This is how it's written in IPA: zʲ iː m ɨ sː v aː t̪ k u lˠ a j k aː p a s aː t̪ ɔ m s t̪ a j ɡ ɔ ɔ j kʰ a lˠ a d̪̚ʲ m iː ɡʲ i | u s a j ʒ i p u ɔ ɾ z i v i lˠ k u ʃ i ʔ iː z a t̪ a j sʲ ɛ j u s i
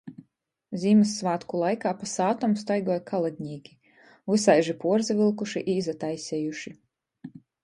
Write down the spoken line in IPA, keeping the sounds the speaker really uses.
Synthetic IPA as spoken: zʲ iː m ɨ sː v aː t̪ k u lˠ a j k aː p a s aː t̪ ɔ m s t̪ a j ɡ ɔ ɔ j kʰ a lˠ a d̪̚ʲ ɲ iː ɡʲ i | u s a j ʒ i p u ɔ ɾ z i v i lˠ k u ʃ i ʔ iː z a t̪ a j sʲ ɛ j u ʃ i